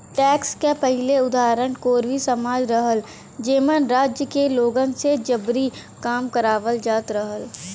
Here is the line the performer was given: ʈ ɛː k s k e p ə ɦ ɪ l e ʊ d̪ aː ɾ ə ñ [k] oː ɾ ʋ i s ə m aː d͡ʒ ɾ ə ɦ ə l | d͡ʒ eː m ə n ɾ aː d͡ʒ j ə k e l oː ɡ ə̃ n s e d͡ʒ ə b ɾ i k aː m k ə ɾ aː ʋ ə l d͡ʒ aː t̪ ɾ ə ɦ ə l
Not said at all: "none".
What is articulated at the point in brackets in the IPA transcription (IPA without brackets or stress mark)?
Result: k